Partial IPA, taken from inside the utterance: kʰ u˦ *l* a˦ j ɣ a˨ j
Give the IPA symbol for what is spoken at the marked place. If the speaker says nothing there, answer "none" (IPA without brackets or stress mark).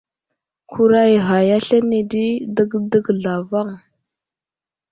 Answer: ɾ